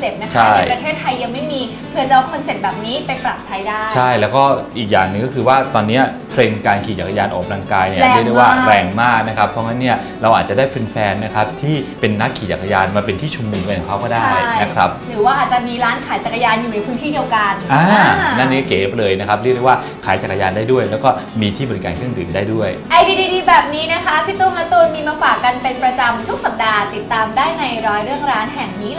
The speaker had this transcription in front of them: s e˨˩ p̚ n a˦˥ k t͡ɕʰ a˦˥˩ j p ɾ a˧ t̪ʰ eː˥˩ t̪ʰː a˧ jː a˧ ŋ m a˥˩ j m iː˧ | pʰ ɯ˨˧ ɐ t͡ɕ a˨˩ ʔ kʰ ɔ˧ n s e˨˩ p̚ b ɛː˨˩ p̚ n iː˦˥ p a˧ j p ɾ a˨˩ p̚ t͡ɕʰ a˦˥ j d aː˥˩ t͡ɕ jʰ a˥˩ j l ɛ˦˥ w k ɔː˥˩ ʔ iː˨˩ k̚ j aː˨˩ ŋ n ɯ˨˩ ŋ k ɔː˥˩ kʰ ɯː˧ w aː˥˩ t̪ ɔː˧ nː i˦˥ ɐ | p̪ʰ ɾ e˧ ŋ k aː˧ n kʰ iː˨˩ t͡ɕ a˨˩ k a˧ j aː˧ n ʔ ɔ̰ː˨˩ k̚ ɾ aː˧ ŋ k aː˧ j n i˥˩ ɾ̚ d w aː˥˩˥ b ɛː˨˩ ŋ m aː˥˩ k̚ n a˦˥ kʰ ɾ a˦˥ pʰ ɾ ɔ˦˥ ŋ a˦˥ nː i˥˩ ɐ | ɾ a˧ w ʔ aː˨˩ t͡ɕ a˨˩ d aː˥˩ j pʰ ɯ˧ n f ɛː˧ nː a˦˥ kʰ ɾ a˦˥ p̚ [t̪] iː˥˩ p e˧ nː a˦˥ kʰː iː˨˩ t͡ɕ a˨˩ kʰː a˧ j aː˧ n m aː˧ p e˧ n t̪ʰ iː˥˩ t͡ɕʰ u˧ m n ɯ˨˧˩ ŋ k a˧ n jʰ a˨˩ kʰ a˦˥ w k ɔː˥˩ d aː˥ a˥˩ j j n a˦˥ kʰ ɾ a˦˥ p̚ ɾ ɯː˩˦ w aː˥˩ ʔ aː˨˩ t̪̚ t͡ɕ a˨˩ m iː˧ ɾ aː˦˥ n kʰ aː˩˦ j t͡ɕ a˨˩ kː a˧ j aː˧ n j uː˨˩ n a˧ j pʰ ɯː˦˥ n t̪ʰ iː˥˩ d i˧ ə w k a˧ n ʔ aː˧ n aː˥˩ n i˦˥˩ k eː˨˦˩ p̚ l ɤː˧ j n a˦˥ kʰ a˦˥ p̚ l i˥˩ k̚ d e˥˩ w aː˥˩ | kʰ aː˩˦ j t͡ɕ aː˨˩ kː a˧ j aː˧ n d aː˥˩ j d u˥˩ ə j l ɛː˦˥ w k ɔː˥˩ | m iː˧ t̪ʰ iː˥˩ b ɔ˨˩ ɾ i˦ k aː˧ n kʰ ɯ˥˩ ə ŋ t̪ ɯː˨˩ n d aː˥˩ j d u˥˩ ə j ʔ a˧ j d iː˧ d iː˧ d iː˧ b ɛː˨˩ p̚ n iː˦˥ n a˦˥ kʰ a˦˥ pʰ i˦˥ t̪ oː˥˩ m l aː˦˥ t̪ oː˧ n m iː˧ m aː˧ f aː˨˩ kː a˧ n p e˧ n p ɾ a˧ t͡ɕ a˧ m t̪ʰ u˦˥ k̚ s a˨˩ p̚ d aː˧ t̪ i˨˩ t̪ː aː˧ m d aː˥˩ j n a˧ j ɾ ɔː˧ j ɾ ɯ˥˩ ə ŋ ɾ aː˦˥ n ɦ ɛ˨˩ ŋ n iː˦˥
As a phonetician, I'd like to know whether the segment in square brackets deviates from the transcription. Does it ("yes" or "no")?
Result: yes